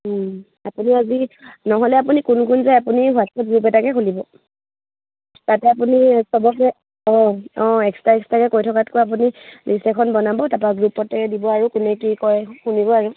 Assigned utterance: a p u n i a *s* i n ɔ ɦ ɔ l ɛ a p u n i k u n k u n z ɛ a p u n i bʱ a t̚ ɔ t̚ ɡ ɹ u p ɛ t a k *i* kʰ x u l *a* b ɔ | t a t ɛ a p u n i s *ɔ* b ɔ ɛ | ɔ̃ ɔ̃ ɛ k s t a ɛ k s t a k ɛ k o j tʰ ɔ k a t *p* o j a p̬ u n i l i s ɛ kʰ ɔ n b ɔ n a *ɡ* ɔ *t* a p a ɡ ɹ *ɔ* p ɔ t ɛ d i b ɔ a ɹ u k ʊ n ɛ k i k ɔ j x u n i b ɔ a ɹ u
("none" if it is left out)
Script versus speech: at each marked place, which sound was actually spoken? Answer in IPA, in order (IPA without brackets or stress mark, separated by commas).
z, ɛ, i, ɔ, k, b, t, u